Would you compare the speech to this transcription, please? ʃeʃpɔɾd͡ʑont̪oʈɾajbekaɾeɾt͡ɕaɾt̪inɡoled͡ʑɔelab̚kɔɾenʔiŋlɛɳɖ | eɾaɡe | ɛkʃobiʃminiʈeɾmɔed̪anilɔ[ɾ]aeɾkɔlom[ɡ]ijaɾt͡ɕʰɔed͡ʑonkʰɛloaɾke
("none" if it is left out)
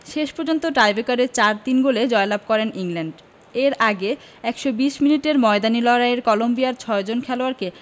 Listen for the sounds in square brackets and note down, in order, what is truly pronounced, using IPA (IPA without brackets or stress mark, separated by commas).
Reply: ɾ, b